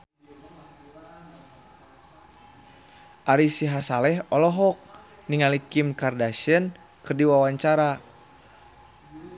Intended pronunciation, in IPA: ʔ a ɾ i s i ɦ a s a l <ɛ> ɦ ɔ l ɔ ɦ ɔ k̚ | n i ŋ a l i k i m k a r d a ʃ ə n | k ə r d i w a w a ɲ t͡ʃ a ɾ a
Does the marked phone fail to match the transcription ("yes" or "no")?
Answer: no